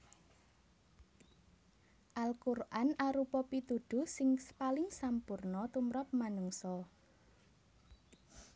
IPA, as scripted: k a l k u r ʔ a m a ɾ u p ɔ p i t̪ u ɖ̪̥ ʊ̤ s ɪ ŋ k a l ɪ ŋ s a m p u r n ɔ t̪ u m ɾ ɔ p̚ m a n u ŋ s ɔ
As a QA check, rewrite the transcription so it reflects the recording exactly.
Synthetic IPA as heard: ʔ a l k u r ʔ a n a ɾ u p ɔ p i t̪ u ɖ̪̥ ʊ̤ s ɪ ŋ p a l ɪ ŋ s a m p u r n ɔ t̪ u m ɾ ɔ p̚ m a n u ŋ s ɔ

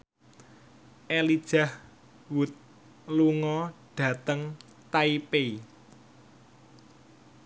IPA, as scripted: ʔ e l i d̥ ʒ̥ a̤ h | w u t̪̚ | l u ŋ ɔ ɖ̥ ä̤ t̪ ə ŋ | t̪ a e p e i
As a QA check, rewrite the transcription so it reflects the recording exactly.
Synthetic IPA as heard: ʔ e l i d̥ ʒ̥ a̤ h | w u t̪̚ | l u ŋ ɔ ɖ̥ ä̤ t̪ ə ŋ | t̪ a i p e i

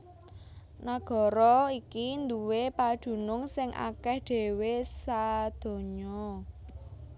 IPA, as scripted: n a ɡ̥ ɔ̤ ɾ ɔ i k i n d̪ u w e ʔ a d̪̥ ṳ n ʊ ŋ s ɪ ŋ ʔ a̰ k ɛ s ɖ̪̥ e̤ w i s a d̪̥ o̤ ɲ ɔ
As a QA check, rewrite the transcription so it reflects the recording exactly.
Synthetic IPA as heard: n a ɡ̥ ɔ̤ ɾ ɔ i k i n d̪ u w e p a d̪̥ ṳ n ʊ ŋ s ɪ ŋ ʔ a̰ k ɛ h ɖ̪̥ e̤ w e s a d̪̥ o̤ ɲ ɔ

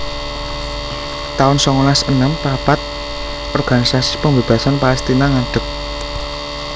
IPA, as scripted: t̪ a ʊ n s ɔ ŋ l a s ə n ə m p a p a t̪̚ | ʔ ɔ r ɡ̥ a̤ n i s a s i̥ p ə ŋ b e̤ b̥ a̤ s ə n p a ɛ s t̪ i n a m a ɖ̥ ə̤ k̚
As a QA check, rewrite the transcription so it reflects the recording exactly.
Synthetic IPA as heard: t̪ a ʊ n s ɔ ŋ l a s ə n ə m p a p a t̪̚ | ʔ ɔ r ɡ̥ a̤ n i s a s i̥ p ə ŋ b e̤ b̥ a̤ s a n p a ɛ s t̪ i n a ŋ a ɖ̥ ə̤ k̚

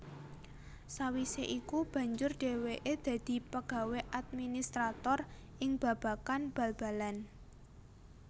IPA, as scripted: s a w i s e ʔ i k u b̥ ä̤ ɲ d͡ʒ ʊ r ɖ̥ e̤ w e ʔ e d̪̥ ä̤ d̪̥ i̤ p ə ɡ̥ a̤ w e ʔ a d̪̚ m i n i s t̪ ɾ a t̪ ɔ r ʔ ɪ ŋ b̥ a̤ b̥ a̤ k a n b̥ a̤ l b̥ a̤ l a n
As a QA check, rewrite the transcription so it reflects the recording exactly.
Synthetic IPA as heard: s a w i s e ʔ i k u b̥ ä̤ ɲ d͡ʒ ʊ r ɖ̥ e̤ w e ʔ e d̪̥ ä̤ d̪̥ i̤ p ə ɡ̥ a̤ w e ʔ a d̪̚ m i n i s t̪ ɾ a t̪ ɔ r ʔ ɪ ŋ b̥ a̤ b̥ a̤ k a n b̥ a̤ l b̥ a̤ l a n

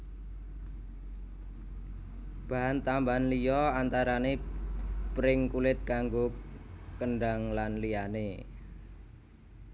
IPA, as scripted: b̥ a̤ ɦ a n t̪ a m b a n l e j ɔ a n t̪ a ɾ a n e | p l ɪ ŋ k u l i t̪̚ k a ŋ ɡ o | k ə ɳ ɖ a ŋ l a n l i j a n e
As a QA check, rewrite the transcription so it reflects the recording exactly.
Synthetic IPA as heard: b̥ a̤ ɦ a n t̪ a m b a n l i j ɔ a n t̪ a ɾ a n e | p ɾ ɪ ŋ k u l ɪ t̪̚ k a ŋ ɡ o | k ə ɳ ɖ a ŋ l a n l i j a n e

